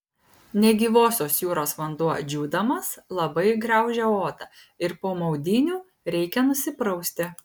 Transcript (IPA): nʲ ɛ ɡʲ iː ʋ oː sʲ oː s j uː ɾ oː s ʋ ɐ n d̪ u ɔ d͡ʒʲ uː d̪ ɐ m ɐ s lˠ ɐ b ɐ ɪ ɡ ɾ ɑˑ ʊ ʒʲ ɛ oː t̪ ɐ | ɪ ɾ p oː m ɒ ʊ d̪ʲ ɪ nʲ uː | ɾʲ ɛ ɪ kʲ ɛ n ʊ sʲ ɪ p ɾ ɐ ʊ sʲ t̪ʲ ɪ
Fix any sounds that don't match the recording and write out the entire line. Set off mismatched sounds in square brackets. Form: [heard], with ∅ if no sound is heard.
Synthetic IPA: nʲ ɛ ɡʲ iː ʋ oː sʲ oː s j uː ɾ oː s ʋ ɐ n d̪ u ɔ d͡ʒʲ uː d̪ ɐ m ɐ s lˠ ɐ b ɐ ɪ ɡ ɾ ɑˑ ʊ ʒʲ ɛ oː t̪ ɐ | ɪ ɾ p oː m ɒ ʊ d̪ʲ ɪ nʲ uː | ɾʲ ɛ ɪ kʲ ɛ n ʊ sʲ ɪ p ɾ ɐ ʊ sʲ t̪ʲ ɪ

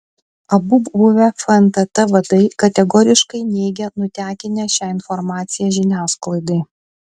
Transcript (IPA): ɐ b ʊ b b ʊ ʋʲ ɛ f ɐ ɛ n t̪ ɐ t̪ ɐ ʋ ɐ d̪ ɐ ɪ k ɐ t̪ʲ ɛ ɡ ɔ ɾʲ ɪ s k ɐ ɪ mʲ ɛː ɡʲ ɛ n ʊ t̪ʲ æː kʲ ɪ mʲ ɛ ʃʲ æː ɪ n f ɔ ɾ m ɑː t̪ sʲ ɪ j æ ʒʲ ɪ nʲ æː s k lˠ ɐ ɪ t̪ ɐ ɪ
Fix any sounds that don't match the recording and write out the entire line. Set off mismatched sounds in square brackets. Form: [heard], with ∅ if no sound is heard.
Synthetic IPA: ɐ b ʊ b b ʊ ʋʲ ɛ f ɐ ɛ n t̪ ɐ t̪ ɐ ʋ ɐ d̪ ɐ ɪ k ɐ t̪ʲ ɛ ɡ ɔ ɾʲ ɪ [ʃ] k ɐ ɪ [nʲ] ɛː ɡʲ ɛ n ʊ t̪ʲ æː kʲ ɪ [nʲ] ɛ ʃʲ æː ɪ n f ɔ ɾ m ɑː t̪ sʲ ɪ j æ ʒʲ ɪ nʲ æː s k lˠ ɐ ɪ [d̪] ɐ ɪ

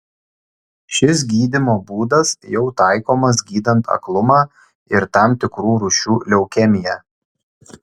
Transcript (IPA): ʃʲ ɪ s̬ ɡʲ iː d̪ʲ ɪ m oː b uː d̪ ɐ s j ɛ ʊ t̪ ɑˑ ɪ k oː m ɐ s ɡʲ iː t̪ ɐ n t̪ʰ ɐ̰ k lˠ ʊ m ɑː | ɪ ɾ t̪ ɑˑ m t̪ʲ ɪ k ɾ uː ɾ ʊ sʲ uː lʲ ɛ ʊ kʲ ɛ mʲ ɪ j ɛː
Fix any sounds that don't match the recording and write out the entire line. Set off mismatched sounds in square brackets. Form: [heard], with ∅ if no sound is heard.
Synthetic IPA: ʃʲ ɪ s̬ ɡʲ iː d̪ʲ ɪ m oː b uː d̪ ɐ s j ɛ ʊ t̪ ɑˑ ɪ k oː m ɐ s ɡʲ iː [d̪] ɐ n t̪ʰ ɐ̰ k lˠ ʊ m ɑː | ɪ ɾ t̪ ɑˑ m t̪ʲ ɪ k ɾ uː ɾ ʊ [ʃʲ] uː lʲ ɛ ʊ kʲ ɛ mʲ ɪ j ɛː

